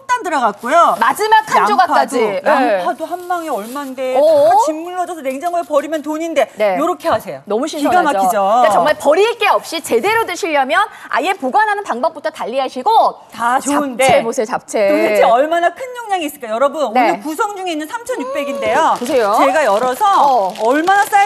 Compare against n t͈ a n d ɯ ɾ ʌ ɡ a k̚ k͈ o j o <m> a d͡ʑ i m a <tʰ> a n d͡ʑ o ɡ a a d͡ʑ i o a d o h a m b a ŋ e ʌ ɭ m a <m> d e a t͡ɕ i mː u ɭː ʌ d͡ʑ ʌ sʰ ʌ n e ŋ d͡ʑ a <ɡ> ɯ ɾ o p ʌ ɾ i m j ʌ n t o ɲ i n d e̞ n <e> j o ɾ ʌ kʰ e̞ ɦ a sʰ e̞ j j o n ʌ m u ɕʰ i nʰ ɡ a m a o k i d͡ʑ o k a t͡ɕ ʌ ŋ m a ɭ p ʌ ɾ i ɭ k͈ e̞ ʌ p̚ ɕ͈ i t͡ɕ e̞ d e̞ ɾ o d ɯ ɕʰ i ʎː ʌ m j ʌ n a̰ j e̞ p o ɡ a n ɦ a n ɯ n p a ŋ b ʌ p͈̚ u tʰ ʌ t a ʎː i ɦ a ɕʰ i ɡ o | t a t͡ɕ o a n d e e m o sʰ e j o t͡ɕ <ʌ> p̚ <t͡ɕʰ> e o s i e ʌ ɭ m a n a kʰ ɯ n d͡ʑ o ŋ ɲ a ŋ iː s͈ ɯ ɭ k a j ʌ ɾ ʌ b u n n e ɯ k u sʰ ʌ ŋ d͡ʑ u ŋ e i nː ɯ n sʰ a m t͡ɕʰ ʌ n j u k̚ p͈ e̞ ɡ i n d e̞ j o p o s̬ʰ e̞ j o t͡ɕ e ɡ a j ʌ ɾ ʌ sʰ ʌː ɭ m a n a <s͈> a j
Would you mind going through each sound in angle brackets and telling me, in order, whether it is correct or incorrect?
correct, incorrect: kʰ, incorrect: n, incorrect: ŋ, correct, incorrect: a, correct, correct

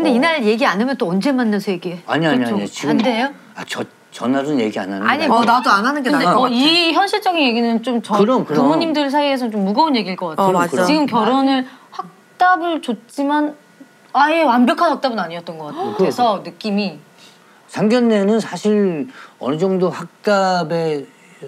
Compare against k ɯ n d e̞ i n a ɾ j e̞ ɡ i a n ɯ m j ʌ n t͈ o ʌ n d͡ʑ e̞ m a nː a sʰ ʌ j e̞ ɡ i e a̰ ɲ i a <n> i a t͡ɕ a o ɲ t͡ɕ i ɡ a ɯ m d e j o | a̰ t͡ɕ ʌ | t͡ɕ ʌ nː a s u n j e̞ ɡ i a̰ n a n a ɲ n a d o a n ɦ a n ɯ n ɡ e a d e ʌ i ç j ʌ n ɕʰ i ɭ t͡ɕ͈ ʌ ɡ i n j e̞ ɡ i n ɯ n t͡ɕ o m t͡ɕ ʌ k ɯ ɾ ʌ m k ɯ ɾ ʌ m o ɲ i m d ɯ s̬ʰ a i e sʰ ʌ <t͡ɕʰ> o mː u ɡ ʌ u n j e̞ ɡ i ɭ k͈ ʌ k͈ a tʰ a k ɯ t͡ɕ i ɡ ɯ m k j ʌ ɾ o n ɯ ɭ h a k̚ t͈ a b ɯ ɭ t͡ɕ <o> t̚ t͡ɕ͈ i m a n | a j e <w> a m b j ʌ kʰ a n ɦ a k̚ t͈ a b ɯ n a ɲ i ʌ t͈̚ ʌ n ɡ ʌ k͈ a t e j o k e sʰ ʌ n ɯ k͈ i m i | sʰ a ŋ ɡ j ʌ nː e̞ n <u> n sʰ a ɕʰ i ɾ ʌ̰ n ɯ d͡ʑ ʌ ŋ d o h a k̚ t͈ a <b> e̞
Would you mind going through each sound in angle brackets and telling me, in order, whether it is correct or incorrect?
incorrect: ɲ, incorrect: t͡ɕ, correct, correct, incorrect: ɯ, correct

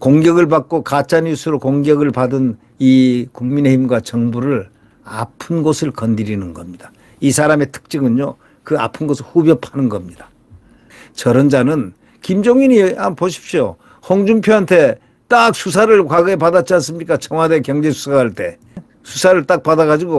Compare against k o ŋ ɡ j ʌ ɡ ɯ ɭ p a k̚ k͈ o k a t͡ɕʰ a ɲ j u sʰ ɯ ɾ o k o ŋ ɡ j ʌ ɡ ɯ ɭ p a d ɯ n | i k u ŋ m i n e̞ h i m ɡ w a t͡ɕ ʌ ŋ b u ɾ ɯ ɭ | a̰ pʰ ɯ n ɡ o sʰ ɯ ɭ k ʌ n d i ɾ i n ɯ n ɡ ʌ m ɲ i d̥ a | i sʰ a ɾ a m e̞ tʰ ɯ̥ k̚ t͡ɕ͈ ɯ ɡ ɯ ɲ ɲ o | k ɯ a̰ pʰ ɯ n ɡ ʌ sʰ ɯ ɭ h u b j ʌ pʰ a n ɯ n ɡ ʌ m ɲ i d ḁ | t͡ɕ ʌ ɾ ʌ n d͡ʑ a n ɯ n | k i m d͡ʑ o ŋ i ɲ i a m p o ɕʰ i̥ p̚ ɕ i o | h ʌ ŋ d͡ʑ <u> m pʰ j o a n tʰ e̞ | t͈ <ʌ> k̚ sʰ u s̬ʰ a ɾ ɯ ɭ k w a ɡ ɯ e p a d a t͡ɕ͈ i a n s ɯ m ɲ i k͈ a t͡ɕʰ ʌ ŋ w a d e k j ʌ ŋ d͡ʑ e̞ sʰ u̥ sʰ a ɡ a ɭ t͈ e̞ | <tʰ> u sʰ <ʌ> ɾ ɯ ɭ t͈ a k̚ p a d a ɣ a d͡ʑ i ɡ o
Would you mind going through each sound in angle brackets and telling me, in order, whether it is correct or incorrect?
correct, incorrect: a, incorrect: sʰ, incorrect: a

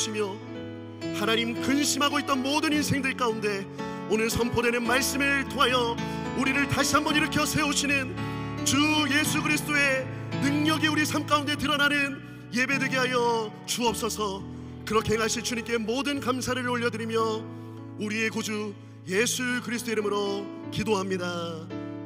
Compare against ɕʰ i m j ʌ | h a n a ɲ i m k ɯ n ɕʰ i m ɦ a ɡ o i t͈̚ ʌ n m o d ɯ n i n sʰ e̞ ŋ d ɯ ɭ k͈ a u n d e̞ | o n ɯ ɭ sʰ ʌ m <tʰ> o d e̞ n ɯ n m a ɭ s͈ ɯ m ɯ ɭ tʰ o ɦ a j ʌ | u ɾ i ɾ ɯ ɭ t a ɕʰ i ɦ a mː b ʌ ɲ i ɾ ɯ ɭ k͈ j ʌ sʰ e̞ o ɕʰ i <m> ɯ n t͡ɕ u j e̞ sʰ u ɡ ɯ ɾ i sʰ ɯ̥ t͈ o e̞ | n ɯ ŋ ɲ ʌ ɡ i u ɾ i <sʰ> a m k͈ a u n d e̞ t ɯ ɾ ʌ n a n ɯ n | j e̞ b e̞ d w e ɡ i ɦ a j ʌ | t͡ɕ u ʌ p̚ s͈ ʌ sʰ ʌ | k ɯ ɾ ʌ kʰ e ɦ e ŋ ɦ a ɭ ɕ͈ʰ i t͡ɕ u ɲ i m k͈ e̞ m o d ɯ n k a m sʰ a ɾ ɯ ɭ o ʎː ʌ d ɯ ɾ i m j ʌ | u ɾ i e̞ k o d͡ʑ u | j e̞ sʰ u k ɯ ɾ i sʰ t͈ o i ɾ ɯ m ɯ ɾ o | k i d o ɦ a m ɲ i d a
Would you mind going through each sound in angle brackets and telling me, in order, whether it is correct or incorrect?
incorrect: pʰ, incorrect: n, correct

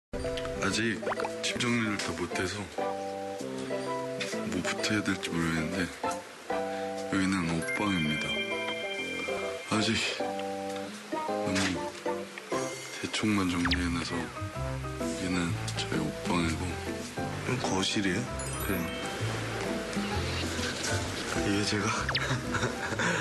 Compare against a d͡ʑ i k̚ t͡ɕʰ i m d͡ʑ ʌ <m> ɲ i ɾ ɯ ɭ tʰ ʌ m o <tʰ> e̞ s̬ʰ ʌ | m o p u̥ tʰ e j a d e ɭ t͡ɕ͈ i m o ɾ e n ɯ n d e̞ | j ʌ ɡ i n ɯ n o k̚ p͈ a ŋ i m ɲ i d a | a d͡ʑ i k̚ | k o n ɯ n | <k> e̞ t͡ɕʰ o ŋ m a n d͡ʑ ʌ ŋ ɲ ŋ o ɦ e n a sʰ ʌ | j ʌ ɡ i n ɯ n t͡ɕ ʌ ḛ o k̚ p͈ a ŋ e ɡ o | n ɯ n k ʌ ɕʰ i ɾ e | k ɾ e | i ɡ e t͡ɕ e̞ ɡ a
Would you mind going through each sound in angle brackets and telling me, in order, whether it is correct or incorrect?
incorrect: ŋ, correct, incorrect: t

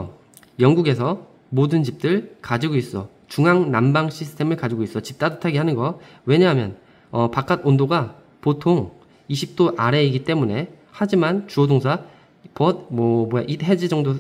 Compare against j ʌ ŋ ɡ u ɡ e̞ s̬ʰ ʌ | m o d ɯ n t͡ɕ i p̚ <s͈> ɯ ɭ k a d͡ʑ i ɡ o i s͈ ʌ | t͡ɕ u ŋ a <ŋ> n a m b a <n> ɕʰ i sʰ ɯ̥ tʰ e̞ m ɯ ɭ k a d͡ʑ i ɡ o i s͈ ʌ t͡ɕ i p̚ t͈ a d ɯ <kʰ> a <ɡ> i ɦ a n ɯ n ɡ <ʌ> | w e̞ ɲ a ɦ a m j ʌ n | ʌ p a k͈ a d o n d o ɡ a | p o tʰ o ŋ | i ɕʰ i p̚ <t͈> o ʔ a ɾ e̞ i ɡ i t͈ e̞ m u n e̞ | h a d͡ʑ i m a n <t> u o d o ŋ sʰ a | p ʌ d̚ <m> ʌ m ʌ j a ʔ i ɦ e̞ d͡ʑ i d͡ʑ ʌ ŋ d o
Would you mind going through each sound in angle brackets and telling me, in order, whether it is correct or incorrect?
incorrect: t͈, correct, incorrect: ŋ, incorrect: tʰ, correct, correct, correct, incorrect: t͡ɕ, correct

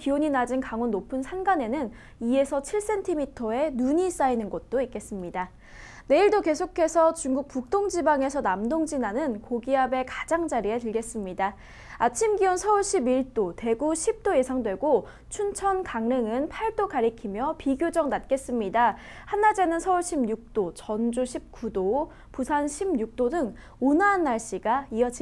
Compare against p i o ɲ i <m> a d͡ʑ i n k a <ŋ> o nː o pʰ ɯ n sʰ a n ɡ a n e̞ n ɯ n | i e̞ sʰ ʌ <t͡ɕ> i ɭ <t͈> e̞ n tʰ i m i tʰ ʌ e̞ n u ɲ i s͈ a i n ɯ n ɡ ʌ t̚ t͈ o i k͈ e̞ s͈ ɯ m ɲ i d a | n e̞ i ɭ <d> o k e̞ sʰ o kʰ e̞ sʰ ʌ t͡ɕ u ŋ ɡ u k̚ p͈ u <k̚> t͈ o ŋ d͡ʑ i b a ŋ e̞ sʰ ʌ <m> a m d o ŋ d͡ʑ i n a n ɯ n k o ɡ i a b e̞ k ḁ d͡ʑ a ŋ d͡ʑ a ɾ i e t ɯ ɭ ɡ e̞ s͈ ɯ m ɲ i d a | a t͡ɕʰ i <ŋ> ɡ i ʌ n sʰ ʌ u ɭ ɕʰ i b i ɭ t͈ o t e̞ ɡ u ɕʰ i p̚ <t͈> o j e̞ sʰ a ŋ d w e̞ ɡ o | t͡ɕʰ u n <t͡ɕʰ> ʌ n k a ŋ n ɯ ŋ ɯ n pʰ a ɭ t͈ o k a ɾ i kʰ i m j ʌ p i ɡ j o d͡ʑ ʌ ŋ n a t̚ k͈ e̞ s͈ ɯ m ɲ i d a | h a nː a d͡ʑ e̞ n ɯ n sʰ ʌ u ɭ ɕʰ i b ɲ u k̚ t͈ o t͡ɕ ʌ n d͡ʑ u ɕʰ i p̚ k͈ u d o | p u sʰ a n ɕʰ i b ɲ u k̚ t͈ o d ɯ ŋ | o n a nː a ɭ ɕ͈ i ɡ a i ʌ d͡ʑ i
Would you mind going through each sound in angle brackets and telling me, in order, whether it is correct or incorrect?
incorrect: n, correct, incorrect: t͡ɕʰ, incorrect: s͈, correct, correct, incorrect: n, incorrect: m, correct, correct

